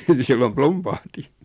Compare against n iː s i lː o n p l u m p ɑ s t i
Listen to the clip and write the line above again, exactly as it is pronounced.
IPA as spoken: n i s i lː o m p l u m p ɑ h t i